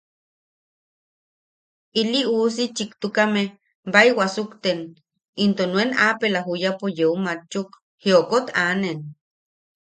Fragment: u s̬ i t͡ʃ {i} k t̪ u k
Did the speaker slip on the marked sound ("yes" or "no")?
no